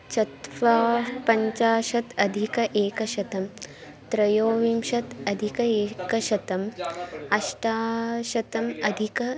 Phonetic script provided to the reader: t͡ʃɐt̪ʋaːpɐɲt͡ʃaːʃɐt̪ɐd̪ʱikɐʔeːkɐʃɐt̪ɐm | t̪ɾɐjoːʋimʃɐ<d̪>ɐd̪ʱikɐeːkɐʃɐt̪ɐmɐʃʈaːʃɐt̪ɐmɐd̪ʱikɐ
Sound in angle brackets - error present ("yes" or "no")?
yes